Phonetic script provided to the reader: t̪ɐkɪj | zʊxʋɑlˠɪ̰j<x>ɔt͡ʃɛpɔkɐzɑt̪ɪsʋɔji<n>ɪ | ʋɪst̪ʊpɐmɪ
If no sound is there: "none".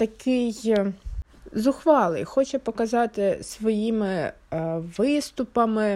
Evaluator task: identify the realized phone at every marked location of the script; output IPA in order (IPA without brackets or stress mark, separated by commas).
x, m